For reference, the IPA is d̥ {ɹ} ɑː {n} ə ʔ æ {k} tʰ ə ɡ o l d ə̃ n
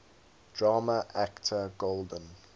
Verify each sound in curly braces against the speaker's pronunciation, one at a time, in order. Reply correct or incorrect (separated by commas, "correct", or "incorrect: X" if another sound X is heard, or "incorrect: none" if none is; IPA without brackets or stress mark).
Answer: correct, incorrect: m, correct